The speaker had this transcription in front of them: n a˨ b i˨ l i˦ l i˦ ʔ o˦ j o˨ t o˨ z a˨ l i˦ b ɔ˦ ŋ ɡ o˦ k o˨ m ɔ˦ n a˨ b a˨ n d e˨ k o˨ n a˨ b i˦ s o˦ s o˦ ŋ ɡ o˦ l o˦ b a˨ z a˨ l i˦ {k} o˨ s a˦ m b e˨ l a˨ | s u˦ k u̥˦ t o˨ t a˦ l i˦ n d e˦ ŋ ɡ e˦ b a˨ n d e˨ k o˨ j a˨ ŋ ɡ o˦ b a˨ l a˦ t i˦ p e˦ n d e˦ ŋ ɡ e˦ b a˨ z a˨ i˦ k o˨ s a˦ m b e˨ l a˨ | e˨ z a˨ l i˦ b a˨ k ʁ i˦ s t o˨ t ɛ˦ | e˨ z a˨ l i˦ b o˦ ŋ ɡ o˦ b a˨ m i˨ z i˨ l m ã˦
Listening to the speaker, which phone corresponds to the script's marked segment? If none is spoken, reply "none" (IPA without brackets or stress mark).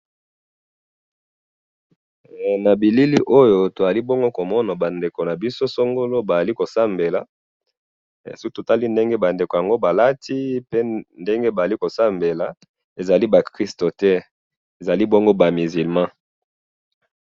k